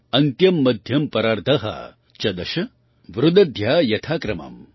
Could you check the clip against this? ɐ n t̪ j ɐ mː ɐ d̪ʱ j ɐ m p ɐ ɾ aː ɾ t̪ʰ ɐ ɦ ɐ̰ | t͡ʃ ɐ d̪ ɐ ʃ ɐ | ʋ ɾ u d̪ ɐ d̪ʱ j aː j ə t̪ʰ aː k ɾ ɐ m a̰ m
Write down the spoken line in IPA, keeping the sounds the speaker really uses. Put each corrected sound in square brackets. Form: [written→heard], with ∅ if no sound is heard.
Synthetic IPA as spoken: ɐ n t̪ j ɐ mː ɐ d̪ʱ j ɐ m p ɐ ɾ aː ɾ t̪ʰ ɐ ɦ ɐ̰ | t͡ʃ ɐ d̪ ɐ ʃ ɐ | ʋ ɾ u d̪ ɐ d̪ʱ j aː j [ə→ɐ] t̪ʰ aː k ɾ ɐ m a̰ m